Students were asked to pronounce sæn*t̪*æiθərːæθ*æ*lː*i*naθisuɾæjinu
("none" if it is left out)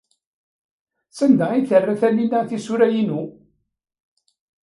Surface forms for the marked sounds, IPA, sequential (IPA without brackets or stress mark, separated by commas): d̪, æ, i